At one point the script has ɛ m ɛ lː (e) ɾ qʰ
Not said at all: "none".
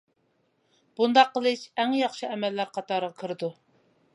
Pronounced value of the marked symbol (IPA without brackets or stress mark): æ